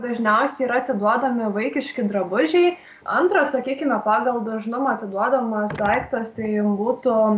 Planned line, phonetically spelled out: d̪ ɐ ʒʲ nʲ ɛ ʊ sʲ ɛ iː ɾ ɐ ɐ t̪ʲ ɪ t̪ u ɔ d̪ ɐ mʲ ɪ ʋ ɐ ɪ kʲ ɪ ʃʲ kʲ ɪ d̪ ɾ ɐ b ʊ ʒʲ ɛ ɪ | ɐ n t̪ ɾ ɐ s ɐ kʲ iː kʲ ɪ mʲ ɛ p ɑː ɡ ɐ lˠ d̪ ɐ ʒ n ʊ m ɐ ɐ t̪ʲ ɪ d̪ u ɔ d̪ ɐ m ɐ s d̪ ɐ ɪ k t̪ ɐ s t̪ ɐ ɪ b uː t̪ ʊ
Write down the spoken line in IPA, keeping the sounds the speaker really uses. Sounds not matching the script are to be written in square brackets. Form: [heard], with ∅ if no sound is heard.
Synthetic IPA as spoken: d̪ ɐ ʒʲ nʲ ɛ ʊ sʲ ɛ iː ɾ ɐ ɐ t̪ʲ ɪ [d̪] u ɔ d̪ ɐ mʲ ɪ ʋ ɐ ɪ kʲ ɪ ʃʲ kʲ ɪ d̪ ɾ ɐ b ʊ ʒʲ ɛ ɪ | ɐ n t̪ ɾ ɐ s ɐ kʲ iː kʲ ɪ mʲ ɛ p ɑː ɡ ɐ lˠ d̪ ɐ ʒ n ʊ m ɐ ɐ t̪ʲ ɪ d̪ u ɔ d̪ ɐ m ɐ s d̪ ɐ ɪ k t̪ ɐ s t̪ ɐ ɪ b uː t̪ ʊ

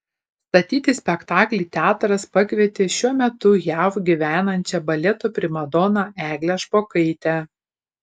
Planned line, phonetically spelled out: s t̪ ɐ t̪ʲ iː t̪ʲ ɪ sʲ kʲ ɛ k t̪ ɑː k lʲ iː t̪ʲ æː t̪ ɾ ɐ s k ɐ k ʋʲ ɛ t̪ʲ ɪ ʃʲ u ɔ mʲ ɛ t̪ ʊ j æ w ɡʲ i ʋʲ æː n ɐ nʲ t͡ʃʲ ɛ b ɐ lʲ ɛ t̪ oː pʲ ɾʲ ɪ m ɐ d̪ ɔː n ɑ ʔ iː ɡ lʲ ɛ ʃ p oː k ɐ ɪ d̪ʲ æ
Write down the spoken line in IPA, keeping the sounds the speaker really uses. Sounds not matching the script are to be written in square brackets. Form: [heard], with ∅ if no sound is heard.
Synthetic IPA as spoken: s t̪ ɐ t̪ʲ iː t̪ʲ ɪ sʲ [pʲ] ɛ k t̪ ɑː k lʲ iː t̪ʲ æː t̪ ɾ ɐ s [p] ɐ k ʋʲ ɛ t̪ʲ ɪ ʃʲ u ɔ mʲ ɛ t̪ ʊ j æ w ɡʲ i ʋʲ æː n ɐ nʲ t͡ʃʲ ɛ b ɐ lʲ ɛ t̪ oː pʲ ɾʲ ɪ m ɐ d̪ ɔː n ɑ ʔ [æː] ɡ lʲ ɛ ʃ p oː k ɐ ɪ [t̪ʲ] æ

